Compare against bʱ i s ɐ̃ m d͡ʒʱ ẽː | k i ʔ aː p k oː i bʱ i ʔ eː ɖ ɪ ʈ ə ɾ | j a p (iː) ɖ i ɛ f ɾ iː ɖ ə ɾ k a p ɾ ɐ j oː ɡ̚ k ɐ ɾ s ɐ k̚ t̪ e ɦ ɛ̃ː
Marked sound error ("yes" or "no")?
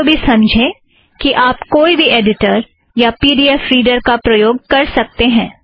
no